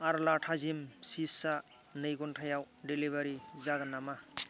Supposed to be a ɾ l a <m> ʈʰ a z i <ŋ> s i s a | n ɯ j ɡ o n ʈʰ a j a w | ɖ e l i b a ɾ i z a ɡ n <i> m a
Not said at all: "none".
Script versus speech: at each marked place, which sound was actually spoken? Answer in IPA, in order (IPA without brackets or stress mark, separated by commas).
none, m, a